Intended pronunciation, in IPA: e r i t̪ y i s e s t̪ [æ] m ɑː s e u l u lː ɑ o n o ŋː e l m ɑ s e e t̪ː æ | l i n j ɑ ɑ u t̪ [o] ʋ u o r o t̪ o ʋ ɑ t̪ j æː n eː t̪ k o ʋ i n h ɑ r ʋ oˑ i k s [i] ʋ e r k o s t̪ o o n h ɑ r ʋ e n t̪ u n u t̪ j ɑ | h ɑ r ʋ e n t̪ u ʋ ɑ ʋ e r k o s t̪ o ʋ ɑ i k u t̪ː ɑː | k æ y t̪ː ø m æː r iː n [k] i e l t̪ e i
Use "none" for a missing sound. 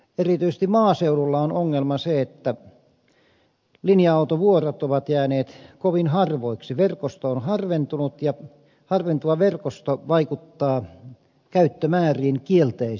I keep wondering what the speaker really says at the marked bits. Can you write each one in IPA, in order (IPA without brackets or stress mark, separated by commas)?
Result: i, o, i, k